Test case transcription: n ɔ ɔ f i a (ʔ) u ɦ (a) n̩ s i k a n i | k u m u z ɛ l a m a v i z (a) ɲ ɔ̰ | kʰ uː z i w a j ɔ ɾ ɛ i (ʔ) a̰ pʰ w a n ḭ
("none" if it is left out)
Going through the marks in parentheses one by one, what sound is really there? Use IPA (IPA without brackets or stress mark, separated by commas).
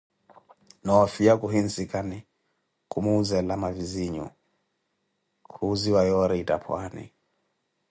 k, i, i, t